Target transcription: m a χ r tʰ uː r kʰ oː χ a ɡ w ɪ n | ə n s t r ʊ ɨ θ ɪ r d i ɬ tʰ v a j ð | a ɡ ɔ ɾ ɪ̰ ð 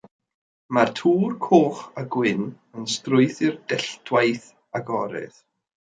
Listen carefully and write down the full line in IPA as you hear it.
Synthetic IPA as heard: m a r tʰ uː r kʰ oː χ a ɡ w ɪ n | ə n s t r ʊ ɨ θ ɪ r d ɛ ɬ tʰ w a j θ | a ɡ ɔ ɾ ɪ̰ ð